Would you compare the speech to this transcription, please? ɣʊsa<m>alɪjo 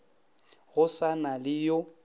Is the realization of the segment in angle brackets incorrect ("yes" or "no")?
yes